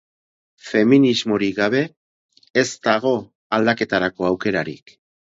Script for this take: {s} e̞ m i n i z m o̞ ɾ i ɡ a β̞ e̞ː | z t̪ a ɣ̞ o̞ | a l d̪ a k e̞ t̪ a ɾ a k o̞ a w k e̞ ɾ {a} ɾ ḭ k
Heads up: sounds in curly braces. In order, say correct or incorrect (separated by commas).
incorrect, correct